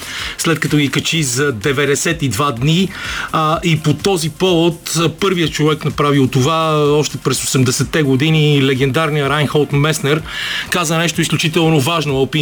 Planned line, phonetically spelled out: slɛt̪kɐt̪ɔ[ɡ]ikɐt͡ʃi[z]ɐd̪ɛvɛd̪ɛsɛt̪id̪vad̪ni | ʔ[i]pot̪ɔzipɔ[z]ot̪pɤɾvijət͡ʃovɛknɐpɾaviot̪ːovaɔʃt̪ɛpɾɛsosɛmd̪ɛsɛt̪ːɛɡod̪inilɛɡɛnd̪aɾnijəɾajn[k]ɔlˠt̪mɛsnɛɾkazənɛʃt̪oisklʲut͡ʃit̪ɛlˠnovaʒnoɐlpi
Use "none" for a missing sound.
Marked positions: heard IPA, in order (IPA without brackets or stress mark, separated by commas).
ɡ, z, i, v, x